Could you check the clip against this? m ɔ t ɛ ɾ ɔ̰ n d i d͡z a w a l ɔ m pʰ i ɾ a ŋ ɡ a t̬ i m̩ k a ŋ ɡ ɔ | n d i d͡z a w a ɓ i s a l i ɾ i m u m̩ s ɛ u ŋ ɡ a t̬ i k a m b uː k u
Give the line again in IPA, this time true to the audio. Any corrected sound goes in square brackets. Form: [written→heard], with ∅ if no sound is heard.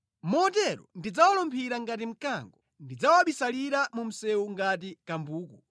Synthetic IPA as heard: m ɔ t ɛ ɾ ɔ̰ n d i d͡z a w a l ɔ m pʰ i ɾ a ŋ ɡ a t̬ i m̩ k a ŋ ɡ ɔ | n d i d͡z a w a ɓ i s a l i ɾ [i→a] m u m̩ s ɛ u ŋ ɡ a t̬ i k a m b uː k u